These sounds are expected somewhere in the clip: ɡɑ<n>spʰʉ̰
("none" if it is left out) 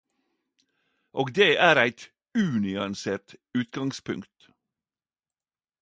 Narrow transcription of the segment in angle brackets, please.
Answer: ŋ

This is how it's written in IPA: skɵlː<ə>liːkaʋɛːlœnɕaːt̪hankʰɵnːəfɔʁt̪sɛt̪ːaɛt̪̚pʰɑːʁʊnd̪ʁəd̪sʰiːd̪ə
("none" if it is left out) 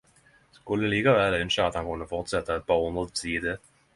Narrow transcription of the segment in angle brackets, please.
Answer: ə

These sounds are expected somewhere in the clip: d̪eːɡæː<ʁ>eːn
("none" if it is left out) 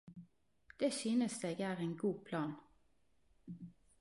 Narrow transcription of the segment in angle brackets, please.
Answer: ʁ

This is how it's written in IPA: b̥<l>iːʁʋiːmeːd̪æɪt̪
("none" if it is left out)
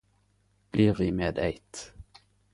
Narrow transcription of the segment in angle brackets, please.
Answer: l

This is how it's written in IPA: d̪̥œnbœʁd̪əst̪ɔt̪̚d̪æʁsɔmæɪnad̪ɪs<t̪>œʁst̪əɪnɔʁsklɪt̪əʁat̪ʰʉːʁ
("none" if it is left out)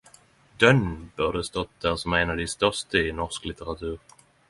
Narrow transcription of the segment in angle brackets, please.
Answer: t̪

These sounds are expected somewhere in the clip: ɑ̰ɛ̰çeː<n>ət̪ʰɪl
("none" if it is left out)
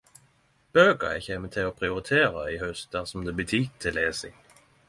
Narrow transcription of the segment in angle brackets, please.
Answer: m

